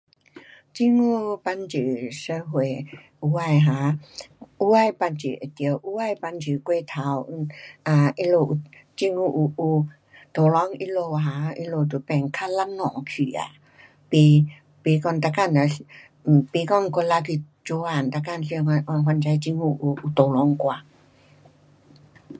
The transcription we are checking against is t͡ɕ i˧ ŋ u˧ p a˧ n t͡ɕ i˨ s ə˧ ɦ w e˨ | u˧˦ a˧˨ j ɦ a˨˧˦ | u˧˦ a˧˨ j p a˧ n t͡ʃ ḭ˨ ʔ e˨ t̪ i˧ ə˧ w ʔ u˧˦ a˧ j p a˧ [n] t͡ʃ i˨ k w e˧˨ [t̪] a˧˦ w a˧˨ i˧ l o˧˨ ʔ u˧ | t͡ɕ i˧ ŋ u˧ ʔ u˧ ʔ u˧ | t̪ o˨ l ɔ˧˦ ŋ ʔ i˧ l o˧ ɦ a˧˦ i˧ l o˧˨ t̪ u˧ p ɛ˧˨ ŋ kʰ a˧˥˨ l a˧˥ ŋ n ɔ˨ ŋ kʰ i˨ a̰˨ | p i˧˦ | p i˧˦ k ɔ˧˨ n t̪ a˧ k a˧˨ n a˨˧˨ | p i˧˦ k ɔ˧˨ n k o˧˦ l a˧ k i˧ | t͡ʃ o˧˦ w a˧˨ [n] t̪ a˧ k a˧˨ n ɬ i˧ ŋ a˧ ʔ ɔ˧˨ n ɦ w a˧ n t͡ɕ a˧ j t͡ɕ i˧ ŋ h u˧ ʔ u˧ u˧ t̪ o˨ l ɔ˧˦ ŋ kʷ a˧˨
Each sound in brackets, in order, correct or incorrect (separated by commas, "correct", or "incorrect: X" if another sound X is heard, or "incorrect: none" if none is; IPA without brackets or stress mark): correct, incorrect: t̪ʰ, correct